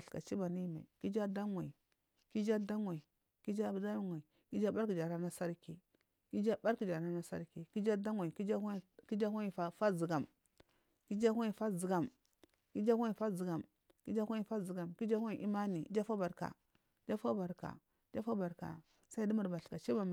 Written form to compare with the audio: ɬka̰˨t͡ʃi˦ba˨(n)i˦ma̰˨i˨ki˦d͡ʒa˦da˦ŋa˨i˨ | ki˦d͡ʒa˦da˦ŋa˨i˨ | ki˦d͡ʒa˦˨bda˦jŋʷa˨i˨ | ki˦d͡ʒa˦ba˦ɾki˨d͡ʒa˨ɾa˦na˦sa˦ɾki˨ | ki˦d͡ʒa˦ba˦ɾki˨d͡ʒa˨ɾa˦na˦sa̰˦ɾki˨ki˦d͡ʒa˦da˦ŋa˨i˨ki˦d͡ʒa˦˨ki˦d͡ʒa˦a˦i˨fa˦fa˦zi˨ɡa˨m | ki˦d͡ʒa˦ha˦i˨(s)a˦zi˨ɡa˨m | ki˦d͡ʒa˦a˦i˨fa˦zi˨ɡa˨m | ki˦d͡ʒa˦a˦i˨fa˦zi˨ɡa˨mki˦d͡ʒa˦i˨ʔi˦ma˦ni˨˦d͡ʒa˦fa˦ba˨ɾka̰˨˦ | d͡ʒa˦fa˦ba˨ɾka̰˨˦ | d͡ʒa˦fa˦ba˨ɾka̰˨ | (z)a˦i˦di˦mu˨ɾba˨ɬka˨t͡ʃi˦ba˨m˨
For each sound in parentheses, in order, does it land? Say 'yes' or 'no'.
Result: yes, no, no

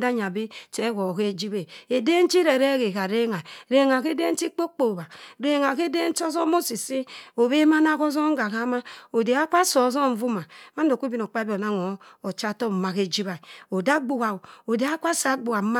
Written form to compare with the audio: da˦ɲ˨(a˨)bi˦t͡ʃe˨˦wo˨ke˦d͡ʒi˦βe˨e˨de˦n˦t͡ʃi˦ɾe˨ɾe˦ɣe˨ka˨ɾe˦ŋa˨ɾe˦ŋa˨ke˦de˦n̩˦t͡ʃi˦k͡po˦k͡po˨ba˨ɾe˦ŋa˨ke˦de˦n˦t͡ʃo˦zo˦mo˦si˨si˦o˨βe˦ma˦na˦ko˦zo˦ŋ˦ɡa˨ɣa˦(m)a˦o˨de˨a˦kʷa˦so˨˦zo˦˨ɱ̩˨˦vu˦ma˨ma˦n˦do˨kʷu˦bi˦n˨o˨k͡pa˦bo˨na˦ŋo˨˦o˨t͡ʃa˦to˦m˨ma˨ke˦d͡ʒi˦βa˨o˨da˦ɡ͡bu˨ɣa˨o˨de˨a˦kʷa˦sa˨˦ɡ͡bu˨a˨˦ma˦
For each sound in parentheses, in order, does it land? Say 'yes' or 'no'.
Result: yes, yes

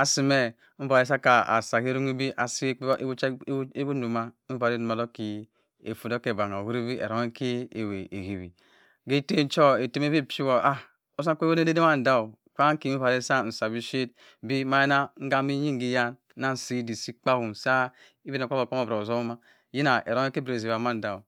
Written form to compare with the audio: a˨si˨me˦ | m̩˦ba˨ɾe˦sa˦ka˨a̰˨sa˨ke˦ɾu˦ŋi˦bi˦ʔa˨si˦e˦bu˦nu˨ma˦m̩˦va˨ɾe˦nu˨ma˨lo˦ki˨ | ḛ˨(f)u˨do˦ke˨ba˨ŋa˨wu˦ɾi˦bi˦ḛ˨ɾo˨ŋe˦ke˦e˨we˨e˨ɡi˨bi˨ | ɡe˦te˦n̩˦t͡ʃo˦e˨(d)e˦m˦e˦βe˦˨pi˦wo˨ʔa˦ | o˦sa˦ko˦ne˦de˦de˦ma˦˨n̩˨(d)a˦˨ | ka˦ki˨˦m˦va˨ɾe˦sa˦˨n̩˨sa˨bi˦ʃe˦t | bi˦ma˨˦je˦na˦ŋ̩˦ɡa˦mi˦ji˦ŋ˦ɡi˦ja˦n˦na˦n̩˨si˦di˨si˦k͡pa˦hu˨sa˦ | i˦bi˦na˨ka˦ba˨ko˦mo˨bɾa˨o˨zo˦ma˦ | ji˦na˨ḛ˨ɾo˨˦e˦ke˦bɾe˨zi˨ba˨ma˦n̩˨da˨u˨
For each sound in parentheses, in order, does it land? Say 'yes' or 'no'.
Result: yes, no, yes

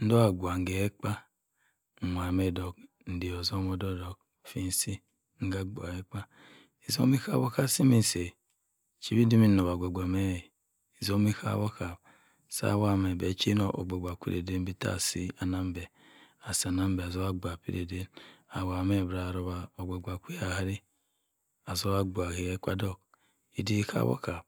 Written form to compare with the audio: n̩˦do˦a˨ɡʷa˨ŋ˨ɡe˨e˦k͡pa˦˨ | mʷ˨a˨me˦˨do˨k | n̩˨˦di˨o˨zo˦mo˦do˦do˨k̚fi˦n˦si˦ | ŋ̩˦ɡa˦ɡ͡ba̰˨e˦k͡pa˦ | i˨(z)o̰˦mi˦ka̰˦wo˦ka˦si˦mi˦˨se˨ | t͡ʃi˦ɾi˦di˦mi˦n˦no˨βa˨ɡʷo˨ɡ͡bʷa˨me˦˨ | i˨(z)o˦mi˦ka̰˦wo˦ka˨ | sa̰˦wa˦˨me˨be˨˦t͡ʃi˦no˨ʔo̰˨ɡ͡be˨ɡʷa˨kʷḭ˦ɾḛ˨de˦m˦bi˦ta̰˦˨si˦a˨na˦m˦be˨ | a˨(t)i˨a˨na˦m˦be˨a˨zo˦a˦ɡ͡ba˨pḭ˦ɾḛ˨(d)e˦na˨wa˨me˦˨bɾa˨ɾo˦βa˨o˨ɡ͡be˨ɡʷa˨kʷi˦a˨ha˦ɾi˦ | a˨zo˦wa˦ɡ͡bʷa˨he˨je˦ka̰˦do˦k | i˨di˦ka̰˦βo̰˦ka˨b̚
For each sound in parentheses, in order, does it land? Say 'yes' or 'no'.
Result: yes, yes, no, yes

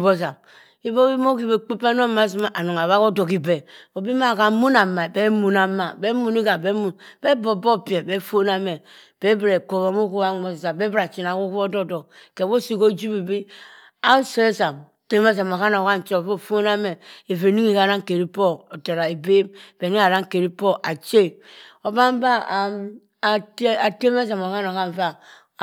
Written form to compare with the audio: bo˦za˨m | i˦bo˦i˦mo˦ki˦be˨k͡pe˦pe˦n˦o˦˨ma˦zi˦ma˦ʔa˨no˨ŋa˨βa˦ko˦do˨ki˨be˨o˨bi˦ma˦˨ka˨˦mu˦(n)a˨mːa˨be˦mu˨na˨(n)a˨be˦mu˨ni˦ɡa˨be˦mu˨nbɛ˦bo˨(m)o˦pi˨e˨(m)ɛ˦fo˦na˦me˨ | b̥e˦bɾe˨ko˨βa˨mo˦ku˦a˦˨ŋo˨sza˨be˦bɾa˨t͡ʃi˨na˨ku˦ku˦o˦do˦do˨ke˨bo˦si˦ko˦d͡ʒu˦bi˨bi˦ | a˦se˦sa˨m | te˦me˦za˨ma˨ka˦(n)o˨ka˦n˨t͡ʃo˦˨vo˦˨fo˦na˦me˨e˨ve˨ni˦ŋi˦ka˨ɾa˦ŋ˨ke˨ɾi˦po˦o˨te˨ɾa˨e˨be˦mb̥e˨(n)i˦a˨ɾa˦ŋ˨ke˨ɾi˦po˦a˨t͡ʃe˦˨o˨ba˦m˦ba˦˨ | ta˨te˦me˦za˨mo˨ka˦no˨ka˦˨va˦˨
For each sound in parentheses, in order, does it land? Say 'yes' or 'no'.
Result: yes, no, no, no, yes, yes

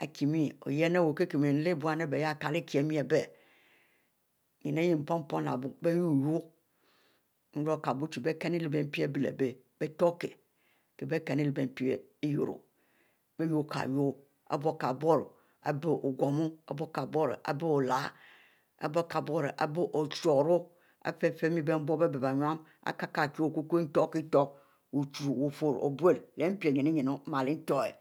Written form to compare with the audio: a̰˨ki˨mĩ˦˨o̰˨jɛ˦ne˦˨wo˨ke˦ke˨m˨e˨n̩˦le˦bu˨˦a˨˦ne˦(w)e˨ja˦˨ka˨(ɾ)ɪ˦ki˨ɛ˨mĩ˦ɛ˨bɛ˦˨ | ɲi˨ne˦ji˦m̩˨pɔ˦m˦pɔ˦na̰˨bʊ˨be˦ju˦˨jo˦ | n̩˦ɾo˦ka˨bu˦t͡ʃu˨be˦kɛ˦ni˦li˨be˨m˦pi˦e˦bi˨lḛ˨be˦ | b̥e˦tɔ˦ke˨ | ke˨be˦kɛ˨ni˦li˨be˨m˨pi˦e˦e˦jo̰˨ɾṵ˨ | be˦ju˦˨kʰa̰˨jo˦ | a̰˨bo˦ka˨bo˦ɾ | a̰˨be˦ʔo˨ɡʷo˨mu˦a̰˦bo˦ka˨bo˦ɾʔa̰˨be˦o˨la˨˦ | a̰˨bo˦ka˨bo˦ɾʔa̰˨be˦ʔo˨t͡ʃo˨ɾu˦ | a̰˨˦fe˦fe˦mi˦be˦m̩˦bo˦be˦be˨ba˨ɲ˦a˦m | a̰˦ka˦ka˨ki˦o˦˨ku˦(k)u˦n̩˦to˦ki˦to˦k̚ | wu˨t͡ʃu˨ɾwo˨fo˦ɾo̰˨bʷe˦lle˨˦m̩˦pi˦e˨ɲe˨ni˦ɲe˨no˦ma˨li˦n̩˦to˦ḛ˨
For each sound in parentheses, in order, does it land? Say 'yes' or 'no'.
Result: no, no, yes

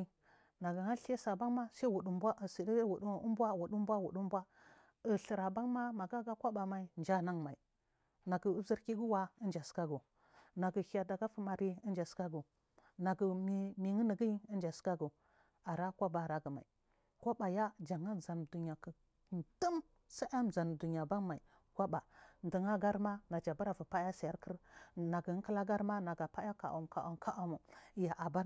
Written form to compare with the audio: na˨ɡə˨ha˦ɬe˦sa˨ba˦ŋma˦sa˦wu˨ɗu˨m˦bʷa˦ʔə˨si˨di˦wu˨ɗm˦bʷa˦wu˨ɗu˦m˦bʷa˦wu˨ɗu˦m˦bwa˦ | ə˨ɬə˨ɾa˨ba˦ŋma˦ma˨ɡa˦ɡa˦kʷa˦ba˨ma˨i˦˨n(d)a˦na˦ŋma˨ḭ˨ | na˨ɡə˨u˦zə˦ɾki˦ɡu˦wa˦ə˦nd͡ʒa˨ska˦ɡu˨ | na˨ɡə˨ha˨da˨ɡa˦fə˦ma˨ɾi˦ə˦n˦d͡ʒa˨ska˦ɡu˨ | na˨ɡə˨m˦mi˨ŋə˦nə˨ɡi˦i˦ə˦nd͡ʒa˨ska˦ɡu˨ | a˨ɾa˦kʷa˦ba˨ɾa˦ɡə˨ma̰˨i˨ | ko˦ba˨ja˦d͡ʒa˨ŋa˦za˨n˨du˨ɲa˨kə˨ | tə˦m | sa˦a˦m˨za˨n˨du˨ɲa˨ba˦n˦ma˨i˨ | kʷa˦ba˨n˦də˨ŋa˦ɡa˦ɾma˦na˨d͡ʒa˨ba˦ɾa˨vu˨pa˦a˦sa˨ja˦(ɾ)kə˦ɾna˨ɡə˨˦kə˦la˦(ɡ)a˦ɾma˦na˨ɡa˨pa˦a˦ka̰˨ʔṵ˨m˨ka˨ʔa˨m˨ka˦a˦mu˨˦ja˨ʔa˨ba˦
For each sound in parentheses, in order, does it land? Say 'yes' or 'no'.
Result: no, yes, yes

